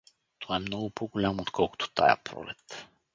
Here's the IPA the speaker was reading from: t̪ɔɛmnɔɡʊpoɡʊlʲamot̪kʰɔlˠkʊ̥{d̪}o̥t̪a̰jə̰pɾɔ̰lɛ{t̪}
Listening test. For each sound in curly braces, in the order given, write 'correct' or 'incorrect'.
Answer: incorrect: t̪, correct

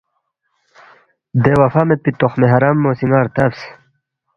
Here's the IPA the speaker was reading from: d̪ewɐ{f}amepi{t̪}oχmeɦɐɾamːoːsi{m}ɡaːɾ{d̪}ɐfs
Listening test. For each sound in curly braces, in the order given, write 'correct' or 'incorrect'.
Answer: correct, correct, incorrect: ŋ, incorrect: t̪

